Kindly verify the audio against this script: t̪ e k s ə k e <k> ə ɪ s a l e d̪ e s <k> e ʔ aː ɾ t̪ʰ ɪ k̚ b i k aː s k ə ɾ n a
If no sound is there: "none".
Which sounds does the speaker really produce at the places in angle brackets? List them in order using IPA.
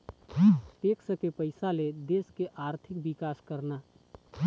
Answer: p, k

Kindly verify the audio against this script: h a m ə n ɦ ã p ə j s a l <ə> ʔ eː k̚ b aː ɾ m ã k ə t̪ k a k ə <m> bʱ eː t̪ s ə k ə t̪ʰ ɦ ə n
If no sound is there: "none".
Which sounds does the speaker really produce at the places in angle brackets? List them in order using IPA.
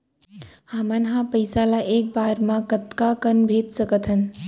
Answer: a, n

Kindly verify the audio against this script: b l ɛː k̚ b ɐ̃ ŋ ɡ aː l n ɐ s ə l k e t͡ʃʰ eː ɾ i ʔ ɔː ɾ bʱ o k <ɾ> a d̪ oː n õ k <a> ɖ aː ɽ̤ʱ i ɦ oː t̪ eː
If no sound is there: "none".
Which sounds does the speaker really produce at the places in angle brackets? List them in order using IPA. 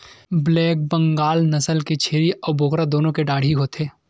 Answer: ɾ, e

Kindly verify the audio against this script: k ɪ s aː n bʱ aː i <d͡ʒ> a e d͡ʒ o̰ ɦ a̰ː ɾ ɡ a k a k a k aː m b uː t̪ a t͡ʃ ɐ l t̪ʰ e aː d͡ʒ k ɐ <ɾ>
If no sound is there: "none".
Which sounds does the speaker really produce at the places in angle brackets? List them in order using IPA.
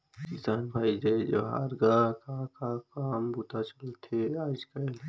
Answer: d͡ʒ, l

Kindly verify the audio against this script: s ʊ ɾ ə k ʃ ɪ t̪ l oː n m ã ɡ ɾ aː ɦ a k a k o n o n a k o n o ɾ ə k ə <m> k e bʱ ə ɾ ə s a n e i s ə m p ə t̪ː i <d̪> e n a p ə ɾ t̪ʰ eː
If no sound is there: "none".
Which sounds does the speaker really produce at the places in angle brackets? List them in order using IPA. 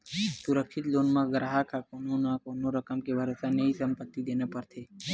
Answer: m, d̪

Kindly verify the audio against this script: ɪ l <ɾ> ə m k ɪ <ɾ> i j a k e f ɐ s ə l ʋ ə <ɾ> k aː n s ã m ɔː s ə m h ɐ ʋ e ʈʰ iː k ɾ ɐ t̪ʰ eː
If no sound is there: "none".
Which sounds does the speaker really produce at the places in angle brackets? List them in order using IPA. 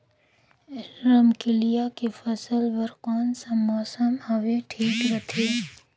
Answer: ɾ, l, ɾ

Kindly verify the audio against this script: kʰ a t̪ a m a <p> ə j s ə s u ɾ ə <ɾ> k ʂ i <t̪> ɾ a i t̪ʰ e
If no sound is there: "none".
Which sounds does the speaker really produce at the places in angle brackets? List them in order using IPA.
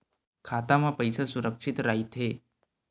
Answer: p, none, t̪

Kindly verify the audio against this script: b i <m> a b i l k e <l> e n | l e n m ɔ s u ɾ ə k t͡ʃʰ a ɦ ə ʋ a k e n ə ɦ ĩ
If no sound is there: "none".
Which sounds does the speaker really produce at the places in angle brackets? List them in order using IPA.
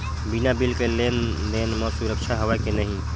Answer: n, l

